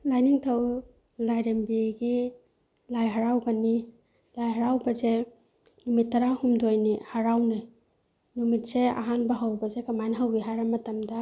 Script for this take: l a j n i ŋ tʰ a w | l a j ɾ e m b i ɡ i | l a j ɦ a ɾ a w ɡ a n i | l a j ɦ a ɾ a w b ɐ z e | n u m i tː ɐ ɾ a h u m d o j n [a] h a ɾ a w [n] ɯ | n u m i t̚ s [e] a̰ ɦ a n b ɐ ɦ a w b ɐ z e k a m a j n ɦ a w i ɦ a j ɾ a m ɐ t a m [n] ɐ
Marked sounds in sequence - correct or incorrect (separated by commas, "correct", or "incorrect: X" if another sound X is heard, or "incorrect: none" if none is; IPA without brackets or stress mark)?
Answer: incorrect: i, correct, correct, incorrect: d